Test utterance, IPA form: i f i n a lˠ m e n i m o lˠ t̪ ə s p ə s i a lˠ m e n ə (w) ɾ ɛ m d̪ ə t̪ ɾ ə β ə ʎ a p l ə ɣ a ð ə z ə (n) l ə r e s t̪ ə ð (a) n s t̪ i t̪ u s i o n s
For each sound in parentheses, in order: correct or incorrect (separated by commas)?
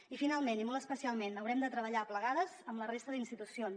correct, incorrect, incorrect